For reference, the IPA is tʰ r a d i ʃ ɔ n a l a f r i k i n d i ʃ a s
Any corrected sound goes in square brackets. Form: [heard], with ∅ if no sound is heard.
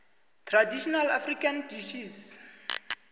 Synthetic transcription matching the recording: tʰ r a d i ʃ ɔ n a l a f r i k [a] n d i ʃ [i] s

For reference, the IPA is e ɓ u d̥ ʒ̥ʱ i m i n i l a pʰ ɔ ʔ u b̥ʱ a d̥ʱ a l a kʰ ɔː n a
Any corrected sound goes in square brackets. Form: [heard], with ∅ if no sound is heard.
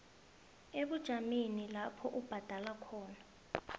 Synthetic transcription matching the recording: e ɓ u d̥ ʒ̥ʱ [a] m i n i l a pʰ ɔ ʔ u b̥ʱ a d̥ʱ a l a kʰ ɔː n a

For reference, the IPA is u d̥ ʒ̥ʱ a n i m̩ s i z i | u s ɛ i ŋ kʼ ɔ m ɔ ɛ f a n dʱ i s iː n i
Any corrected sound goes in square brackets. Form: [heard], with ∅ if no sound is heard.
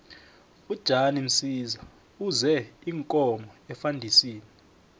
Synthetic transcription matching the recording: u d̥ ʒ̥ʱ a n i m̩ s i z [a] | u [z] ɛ i ŋ kʼ ɔ m ɔ ɛ f a n dʱ i s iː n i

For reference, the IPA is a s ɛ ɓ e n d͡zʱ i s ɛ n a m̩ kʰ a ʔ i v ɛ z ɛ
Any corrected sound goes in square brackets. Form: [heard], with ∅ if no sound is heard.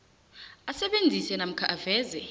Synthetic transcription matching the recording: a s ɛ ɓ e n d͡zʱ i s ɛ n a m̩ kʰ a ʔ [a] v [ɛː] z ɛ

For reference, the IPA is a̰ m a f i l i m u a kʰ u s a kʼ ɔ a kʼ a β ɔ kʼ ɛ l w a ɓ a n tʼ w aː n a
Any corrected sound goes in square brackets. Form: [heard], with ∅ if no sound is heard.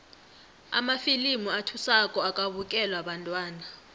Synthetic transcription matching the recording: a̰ m a f i l i m u a [tʰ] u s a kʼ ɔ a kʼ a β [u] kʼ ɛ l w a ɓ a n tʼ w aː n a

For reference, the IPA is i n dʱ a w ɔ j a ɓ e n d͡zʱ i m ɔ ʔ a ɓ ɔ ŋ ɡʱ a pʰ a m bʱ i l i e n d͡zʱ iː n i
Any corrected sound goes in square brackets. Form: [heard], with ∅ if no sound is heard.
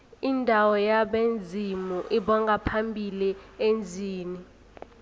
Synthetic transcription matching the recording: i n dʱ a w ɔ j a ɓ e n d͡zʱ i m [u] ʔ [i] ɓ ɔ ŋ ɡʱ a pʰ a m bʱ i l i e n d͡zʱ iː n i

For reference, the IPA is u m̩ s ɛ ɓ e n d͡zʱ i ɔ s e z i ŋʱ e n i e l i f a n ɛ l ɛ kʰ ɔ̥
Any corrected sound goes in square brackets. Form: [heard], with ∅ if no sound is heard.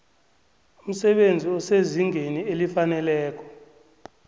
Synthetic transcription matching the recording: u m̩ s ɛ ɓ e n d͡zʱ i ɔ s e z i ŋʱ e n i e l i f a n ɛ l [ɛː] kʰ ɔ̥

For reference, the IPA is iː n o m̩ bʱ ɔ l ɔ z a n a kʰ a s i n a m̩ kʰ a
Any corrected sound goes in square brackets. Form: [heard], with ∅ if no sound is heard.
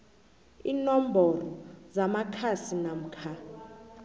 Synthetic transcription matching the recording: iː n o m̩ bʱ ɔ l ɔ z a [m] a kʰ a s i n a m̩ kʰ a

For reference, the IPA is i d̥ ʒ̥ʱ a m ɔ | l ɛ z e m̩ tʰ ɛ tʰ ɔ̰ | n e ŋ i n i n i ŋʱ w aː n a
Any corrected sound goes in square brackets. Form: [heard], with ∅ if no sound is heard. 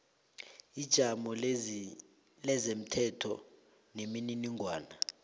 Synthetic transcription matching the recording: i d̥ ʒ̥ʱ a m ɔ | l ɛ z e m̩ tʰ ɛ tʰ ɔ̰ | n e [m] i n i n i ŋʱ w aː n a

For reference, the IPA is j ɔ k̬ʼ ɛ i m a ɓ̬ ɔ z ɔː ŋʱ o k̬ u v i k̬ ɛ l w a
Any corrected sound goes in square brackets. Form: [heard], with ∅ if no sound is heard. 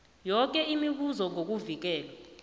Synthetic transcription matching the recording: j ɔ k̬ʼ ɛ i m [i] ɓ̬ [u] z [ɔ] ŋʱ o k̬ u v i k̬ [ɛː] l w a

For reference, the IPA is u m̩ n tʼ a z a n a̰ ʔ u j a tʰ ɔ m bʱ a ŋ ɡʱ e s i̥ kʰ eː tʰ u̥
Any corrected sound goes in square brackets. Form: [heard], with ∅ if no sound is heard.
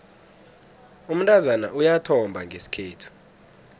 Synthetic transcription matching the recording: u m̩ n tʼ a z a n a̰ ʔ u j a tʰ ɔ m bʱ a ŋ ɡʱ e s i̥ kʰ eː tʰ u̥

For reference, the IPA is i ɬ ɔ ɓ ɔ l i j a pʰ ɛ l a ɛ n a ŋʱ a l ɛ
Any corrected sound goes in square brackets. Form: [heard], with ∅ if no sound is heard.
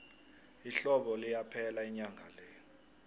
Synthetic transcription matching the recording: i ɬ ɔ ɓ ɔ l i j a pʰ ɛ l a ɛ [ɲ] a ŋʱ a l ɛ

